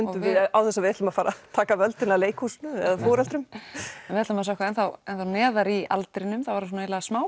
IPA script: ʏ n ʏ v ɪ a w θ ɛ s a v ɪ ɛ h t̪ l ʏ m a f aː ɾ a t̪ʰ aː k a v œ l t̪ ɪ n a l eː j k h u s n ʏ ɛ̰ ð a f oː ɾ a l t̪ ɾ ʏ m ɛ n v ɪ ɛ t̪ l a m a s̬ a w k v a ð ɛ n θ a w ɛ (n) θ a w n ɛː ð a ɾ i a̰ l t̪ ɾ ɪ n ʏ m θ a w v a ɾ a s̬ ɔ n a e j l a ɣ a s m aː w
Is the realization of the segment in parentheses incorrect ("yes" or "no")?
no